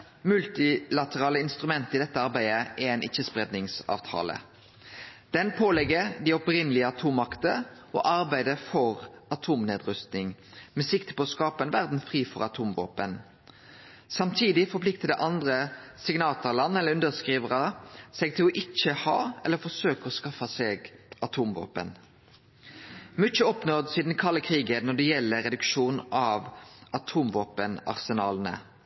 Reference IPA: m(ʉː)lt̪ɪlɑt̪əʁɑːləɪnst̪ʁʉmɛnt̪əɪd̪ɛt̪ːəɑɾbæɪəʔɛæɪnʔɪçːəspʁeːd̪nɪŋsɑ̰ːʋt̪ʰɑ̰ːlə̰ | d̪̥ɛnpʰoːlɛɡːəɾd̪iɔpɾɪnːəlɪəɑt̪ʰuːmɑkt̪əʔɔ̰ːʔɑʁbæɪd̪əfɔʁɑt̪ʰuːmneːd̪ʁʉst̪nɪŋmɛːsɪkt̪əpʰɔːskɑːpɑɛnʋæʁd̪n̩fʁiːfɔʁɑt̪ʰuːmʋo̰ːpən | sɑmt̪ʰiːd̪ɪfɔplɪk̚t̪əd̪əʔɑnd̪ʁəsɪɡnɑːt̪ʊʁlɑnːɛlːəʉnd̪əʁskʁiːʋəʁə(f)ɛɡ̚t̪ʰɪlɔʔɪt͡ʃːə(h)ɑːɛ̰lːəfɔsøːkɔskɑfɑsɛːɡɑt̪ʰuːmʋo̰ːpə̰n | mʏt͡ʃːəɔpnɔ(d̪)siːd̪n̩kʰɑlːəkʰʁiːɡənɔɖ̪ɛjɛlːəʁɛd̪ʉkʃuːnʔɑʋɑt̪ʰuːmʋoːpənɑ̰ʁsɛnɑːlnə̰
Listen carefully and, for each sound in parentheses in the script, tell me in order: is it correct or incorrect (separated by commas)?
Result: incorrect, incorrect, correct, correct